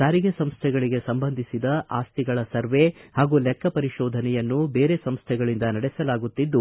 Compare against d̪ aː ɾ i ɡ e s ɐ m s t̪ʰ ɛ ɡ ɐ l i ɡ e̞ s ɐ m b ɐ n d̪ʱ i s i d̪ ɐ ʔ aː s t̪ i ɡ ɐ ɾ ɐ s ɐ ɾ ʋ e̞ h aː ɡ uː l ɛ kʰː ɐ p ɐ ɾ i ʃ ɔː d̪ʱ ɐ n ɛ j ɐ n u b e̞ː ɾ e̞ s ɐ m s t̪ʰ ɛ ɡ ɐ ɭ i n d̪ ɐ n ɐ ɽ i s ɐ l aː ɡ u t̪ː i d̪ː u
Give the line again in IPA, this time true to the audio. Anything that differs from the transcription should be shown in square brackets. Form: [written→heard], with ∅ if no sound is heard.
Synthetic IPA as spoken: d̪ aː ɾ i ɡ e s ɐ m s t̪ʰ ɛ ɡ ɐ [l→ɭ] i ɡ e̞ s ɐ m b ɐ n d̪ʱ i s i d̪ ɐ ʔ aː s t̪ i ɡ ɐ [ɾ→ɭ] ɐ s ɐ ɾ ʋ e̞ h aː ɡ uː l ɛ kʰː ɐ p ɐ ɾ i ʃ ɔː d̪ʱ ɐ n ɛ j ɐ [n→nː] u b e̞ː ɾ e̞ s ɐ m s t̪ʰ ɛ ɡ ɐ ɭ i n d̪ ɐ n ɐ ɽ [i→ɛ] s ɐ l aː ɡ u t̪ː i d̪ː u

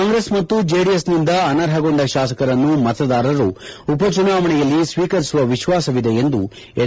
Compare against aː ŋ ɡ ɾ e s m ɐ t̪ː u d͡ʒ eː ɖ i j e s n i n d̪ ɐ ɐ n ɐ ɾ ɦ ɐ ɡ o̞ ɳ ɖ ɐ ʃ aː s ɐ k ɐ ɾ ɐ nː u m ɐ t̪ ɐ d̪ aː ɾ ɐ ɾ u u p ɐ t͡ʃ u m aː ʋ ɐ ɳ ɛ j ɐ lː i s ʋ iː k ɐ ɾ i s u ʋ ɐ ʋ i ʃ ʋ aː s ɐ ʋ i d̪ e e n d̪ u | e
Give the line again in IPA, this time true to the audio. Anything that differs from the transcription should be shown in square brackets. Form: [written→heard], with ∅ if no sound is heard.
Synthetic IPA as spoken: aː ŋ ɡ ɾ e s m ɐ t̪ː u d͡ʒ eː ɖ i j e s n i n d̪ ɐ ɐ n ɐ ɾ ɦ ɐ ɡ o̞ ɳ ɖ ɐ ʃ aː s ɐ k ɐ ɾ ɐ nː u m ɐ t̪ ɐ d̪ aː ɾ ɐ ɾ u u p ɐ t͡ʃ u [m→n] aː ʋ ɐ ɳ ɛ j ɐ lː i s ʋ iː k ɐ ɾ i s u ʋ ɐ ʋ i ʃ ʋ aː s ɐ ʋ i d̪ e e n d̪ u | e

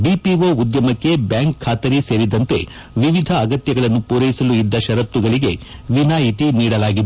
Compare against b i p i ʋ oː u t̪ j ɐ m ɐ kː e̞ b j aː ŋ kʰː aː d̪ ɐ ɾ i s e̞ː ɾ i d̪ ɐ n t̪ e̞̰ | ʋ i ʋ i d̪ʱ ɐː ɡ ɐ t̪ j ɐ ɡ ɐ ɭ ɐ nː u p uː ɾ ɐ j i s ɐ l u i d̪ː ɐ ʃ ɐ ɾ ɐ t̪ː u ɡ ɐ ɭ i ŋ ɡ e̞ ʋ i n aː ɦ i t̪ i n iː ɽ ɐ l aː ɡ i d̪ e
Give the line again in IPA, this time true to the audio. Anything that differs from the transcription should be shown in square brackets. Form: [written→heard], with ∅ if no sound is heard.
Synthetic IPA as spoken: b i p i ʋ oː u [t̪→d̪] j ɐ m ɐ kː e̞ b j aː ŋ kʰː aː [d̪→t̪] ɐ ɾ i s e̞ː ɾ i d̪ ɐ n t̪ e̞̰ | ʋ i ʋ i d̪ʱ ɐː ɡ ɐ t̪ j ɐ ɡ ɐ ɭ ɐ nː u p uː ɾ ɐ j i s ɐ l u i d̪ː ɐ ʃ ɐ ɾ ɐ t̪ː u ɡ ɐ ɭ i [ŋ→∅] ɡ e̞ ʋ i n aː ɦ i t̪ i n iː ɽ ɐ l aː ɡ i d̪ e

